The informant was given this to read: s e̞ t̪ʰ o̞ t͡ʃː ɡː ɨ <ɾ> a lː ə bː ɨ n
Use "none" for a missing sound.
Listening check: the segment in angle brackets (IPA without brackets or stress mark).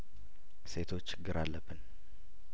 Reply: ɾ